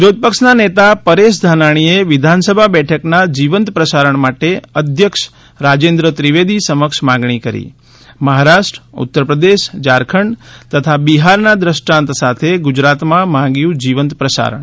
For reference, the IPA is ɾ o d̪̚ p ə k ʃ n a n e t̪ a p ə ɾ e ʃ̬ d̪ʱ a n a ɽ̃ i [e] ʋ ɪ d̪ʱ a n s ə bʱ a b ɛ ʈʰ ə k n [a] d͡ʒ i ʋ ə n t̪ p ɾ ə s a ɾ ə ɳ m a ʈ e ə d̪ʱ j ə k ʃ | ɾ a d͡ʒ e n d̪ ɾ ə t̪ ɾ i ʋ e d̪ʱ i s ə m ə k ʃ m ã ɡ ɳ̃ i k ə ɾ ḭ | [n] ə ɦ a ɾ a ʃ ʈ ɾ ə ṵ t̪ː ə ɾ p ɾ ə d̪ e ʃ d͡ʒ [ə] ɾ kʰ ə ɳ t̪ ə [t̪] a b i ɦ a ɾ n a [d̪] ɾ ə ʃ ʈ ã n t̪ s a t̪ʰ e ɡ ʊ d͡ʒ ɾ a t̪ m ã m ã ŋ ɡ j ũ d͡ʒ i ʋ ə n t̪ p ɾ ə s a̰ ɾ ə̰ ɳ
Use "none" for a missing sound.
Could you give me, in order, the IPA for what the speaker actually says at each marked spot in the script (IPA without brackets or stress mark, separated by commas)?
e, a, m, a, t̪ʰ, d̪